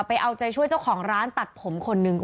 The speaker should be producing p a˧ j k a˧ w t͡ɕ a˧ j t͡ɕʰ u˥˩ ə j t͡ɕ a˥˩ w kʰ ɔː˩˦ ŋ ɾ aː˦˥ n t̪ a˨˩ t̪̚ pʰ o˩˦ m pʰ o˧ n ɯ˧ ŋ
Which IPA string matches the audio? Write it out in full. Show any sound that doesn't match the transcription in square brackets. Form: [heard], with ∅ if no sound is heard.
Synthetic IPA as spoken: p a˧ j [ʔ] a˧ w t͡ɕ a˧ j t͡ɕʰ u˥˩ ə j t͡ɕ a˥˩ w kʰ ɔː˩˦ ŋ ɾ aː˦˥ n t̪ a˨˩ t̪̚ pʰ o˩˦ m [kʰ] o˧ [nː] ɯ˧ ŋ